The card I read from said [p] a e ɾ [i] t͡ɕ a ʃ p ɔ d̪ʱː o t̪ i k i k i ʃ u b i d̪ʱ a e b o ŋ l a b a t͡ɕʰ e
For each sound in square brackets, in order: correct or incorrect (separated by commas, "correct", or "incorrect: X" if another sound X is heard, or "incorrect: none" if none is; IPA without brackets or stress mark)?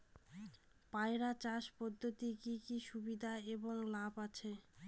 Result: correct, incorrect: a